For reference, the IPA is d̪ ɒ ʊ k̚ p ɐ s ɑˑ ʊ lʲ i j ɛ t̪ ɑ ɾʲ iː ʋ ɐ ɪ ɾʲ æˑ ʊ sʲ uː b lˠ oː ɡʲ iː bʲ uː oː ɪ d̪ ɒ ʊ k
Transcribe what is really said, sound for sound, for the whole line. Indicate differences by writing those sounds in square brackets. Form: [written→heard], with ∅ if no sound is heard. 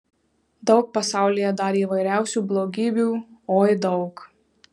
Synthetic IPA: d̪ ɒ ʊ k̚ p ɐ s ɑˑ ʊ lʲ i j ɛ [t̪→d̪] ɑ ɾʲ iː ʋ ɐ ɪ ɾʲ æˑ ʊ sʲ uː b lˠ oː ɡʲ iː bʲ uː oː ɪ d̪ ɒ ʊ k